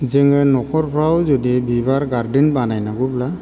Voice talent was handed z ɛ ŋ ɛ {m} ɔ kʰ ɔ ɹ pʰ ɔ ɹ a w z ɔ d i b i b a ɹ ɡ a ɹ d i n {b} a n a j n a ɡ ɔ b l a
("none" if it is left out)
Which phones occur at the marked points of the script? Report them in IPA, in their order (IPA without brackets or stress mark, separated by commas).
n, b